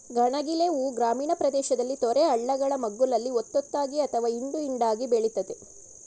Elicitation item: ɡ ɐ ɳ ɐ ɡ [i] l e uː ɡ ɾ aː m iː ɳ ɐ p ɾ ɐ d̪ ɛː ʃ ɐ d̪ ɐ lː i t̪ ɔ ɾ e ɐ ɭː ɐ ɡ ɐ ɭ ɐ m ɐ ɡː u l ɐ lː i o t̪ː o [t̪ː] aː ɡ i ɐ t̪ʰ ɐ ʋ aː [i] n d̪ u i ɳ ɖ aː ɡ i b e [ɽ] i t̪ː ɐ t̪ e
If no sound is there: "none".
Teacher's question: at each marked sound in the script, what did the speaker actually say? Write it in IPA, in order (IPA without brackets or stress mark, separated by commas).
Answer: i, t̪ː, i, ɭ